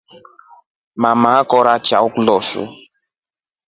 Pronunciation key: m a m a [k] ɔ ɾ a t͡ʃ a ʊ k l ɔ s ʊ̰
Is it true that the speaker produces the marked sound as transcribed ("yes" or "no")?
yes